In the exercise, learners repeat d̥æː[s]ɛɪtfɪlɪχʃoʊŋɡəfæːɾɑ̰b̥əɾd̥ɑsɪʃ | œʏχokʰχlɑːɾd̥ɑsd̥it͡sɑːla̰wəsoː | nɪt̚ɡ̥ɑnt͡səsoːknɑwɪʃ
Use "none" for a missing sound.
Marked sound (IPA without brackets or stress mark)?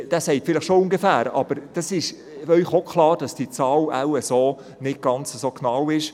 s